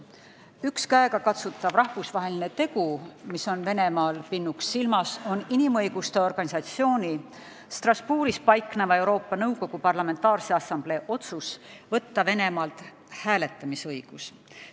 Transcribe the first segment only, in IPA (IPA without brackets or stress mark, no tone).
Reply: y